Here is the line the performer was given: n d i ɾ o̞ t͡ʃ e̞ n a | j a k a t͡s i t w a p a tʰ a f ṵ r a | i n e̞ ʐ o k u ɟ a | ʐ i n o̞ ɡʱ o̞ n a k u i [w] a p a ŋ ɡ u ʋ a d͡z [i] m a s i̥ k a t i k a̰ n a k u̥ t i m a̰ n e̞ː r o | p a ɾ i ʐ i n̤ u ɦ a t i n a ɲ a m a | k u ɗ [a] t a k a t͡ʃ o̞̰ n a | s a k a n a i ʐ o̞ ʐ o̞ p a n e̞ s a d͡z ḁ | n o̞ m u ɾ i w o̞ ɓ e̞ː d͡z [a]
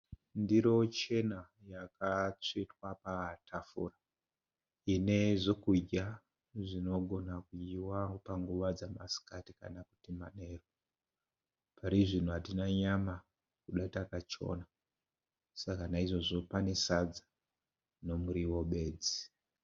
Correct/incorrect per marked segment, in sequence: correct, incorrect: a, correct, incorrect: i

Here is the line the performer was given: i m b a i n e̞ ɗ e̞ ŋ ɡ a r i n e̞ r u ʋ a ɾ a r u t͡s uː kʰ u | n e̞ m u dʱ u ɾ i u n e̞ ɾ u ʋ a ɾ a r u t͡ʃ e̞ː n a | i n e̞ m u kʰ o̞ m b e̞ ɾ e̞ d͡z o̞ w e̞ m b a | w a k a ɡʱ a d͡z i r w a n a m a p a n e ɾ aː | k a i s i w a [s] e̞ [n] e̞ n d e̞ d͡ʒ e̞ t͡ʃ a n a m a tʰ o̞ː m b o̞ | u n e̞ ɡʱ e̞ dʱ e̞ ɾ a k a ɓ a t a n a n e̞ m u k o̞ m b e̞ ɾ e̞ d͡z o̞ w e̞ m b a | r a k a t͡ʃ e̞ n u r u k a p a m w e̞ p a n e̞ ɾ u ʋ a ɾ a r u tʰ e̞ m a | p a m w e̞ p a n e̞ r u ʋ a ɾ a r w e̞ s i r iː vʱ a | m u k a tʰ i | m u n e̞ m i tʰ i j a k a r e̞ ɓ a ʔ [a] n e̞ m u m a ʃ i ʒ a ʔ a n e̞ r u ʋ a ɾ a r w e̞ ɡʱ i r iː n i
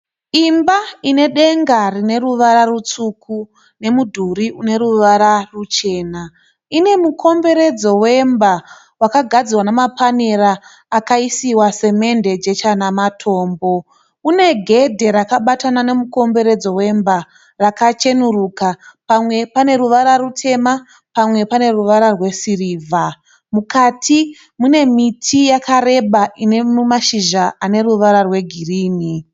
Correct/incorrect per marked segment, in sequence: correct, incorrect: m, incorrect: i

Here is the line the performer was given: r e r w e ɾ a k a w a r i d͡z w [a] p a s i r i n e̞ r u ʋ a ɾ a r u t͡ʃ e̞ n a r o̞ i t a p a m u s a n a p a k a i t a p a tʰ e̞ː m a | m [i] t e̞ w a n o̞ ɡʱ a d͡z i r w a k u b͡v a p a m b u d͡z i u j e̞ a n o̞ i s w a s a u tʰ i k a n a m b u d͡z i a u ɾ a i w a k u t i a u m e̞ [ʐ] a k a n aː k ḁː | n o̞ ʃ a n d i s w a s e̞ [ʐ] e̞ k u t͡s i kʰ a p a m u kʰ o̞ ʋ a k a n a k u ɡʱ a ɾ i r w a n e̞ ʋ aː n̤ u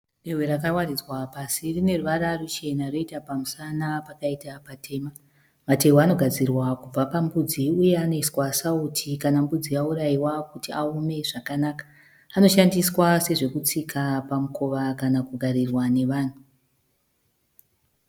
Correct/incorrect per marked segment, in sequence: correct, incorrect: a, correct, correct

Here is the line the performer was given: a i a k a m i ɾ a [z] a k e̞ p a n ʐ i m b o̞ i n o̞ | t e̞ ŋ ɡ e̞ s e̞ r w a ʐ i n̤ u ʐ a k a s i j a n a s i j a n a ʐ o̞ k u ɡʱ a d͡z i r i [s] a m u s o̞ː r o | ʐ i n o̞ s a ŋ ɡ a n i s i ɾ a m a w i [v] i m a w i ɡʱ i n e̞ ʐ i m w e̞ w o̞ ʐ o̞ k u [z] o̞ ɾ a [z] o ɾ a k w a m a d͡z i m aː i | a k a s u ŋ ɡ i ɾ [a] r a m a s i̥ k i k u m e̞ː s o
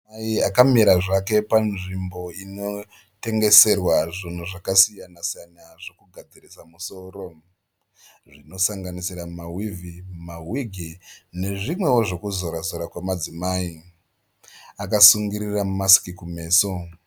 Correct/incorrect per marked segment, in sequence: incorrect: ʐ, correct, correct, correct, correct, incorrect: i

